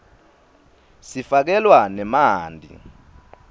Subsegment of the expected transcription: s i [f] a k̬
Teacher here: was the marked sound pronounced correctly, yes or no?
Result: yes